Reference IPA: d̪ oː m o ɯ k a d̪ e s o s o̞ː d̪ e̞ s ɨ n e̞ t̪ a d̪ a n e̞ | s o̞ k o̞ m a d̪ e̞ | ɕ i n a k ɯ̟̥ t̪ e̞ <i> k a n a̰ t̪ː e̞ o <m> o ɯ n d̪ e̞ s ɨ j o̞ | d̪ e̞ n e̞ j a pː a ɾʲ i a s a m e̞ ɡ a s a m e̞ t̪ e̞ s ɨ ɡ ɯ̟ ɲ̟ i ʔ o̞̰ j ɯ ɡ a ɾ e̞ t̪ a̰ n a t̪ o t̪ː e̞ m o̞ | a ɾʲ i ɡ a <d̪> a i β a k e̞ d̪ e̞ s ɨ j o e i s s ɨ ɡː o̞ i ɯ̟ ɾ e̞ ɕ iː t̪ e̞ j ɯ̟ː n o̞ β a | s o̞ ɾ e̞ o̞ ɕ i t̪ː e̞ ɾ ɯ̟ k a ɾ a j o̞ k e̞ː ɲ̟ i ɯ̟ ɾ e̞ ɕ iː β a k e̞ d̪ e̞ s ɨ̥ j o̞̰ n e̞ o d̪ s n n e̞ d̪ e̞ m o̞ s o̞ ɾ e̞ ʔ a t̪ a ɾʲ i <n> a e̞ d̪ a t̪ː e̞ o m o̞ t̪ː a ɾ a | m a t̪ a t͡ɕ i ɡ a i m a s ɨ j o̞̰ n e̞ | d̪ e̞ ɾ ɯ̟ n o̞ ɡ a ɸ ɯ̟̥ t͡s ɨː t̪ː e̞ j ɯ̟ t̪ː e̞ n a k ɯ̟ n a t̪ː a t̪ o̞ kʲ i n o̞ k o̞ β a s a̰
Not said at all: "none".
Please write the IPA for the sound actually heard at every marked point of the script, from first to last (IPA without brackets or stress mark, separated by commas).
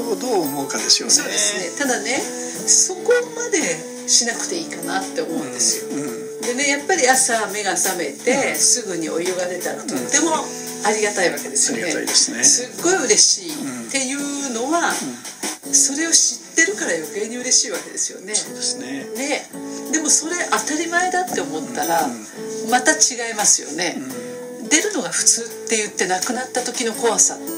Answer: iː, m, t̪, m